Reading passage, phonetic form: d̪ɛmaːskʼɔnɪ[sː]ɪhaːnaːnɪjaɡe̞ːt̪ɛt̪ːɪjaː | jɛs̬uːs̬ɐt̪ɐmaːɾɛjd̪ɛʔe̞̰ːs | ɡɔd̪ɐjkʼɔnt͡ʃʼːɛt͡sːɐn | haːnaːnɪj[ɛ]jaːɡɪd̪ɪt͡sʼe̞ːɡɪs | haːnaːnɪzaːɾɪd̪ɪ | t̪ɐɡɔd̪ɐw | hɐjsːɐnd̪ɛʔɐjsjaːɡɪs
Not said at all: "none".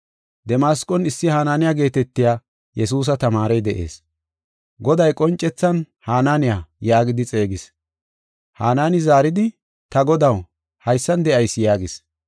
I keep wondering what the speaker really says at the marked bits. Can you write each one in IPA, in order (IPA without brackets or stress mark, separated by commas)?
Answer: sː, a